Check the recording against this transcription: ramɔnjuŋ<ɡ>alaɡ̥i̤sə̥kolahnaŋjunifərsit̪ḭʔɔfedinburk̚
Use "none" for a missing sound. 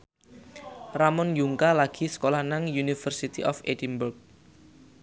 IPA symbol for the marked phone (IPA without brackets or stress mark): k